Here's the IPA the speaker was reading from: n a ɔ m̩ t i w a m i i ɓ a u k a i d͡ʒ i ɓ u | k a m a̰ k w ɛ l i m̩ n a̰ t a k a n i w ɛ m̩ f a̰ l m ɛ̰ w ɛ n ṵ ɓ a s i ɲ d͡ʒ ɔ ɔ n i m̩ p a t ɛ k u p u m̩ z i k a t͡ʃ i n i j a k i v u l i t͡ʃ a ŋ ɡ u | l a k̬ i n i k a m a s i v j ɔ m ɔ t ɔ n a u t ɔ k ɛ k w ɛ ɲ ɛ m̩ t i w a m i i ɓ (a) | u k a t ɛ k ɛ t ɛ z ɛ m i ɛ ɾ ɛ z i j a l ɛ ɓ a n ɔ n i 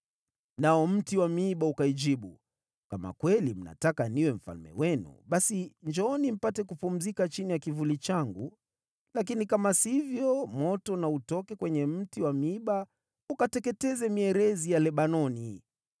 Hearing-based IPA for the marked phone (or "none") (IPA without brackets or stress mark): a